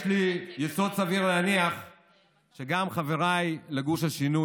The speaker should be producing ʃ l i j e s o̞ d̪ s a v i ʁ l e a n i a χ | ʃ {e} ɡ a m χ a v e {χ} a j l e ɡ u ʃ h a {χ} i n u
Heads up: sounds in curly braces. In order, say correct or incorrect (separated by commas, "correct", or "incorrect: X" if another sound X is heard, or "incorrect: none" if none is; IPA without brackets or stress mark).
correct, incorrect: ʁ, incorrect: ʃ